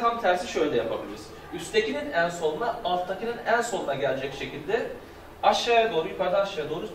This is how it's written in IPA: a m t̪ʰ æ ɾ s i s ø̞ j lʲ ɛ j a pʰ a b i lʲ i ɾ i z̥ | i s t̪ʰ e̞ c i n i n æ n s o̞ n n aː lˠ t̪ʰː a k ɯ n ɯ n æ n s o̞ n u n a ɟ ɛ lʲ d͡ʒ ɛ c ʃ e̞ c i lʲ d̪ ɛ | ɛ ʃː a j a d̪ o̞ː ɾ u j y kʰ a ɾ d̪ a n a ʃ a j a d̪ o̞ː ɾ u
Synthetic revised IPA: a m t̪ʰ æ ɾ s i ʃ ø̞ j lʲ ɛ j a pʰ a b i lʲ i ɾ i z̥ | y s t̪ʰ e̞ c i n i n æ n s o̞ n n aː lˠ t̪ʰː a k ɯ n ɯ n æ n s o̞ n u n a ɟ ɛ lʲ d͡ʒ ɛ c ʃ e̞ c i lʲ d̪ ɛ | a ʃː a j a d̪ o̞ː ɾ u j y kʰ a ɾ d̪ a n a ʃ a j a d̪ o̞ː ɾ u

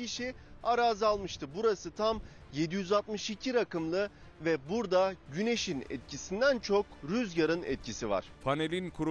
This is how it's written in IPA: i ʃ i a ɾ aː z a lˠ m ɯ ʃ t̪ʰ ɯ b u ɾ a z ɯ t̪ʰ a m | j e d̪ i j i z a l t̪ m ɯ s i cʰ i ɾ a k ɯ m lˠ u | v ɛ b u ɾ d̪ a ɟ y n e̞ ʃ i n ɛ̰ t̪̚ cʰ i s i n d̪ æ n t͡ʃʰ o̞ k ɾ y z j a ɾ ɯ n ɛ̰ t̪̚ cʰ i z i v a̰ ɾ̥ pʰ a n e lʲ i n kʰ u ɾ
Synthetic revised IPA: i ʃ i a ɾ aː z a lˠ m ɯ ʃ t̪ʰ ɯ b u ɾ a s ɯ t̪ʰ a m | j e d̪ i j y z a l t̪ m ɯ ʃ i cʰ i ɾ a k ɯ m lˠ ɯ | v ɛ b u ɾ d̪ a ɟ y n e̞ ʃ i n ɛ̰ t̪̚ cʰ i s i n d̪ æ n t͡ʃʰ o̞ k ɾ y z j a ɾ ɯ n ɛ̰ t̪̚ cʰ i s i v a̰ ɾ̥ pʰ a n e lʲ i n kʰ u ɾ

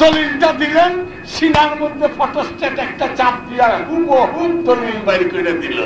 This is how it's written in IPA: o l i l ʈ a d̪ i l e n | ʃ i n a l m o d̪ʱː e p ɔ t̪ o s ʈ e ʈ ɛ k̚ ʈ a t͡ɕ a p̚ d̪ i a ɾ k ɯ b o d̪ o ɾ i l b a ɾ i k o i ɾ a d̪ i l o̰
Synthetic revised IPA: o l i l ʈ a d̪ i l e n | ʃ i n a ɾ m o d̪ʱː e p ɔ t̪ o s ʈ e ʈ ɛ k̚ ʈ a t͡ɕ a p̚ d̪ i a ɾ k u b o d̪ o l i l b a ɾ i k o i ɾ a d̪ i l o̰

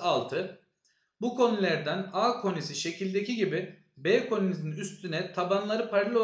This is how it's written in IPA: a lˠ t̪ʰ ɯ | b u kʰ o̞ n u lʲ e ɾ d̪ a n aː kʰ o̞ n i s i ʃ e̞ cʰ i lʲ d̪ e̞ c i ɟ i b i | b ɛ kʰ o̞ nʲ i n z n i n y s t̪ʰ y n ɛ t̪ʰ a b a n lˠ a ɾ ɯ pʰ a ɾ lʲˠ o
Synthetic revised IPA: a lˠ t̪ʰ ɯ | b u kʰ o̞ n u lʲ æ ɾ d̪ æ n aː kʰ o̞ n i s i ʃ e̞ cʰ i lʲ d̪ e̞ c i ɟ i b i | b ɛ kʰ o̞ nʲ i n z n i n y s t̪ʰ y n ɛ t̪ʰ a b a n lˠ a ɾ ɯ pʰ a ɾ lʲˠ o

